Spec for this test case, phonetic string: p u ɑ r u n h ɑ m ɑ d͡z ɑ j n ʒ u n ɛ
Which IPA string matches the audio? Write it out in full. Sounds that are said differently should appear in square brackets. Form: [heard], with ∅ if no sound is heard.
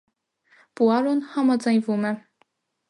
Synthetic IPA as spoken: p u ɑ [ɾ] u n h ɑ m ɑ d͡z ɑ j n [v] u [m] ɛ